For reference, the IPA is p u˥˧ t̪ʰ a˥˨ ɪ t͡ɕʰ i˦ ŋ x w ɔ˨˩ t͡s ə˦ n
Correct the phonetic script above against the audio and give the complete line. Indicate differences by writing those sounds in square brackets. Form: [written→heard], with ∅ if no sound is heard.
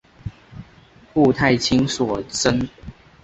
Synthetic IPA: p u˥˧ t̪ʰ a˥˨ ɪ t͡ɕʰ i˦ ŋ [x→s] w ɔ˨˩ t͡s ə˦ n